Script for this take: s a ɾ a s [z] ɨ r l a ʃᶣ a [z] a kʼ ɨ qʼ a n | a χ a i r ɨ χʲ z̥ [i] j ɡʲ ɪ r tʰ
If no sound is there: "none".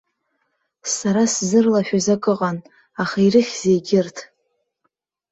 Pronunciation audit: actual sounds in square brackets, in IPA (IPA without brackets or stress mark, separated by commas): z, z, e